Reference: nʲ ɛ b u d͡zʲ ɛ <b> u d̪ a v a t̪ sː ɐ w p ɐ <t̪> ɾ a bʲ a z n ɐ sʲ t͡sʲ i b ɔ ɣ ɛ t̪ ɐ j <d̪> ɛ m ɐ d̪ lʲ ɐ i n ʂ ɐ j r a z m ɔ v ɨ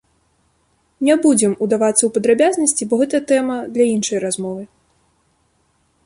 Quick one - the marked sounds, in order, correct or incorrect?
incorrect: m, incorrect: d̪, incorrect: t̪

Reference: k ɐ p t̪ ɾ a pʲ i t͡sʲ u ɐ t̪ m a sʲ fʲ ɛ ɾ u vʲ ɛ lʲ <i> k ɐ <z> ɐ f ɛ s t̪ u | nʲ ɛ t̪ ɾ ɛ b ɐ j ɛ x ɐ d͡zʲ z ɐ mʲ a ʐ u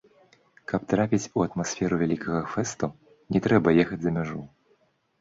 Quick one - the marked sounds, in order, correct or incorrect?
correct, incorrect: ɣ

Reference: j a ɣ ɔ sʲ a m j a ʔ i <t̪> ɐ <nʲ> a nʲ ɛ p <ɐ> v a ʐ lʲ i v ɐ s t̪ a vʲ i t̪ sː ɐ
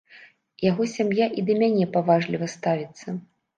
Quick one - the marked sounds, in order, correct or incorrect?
incorrect: d̪, incorrect: mʲ, incorrect: a

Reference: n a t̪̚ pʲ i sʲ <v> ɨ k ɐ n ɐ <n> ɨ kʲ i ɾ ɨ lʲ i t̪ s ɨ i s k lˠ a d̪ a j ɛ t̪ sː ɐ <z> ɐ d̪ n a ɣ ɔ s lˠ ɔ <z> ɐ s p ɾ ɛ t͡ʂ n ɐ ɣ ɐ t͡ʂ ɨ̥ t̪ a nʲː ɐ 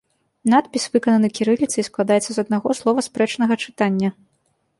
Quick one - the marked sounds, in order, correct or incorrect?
correct, correct, correct, incorrect: v

